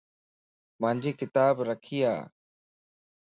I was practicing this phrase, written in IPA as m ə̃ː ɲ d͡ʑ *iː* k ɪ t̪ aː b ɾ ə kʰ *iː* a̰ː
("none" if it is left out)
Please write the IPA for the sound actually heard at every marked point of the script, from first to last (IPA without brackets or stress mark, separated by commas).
iː, iː